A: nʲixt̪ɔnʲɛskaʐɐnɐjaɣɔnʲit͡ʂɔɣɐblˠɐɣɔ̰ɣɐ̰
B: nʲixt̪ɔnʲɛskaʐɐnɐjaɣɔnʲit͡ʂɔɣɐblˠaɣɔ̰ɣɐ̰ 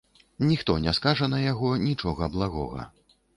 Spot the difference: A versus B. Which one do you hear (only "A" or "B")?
B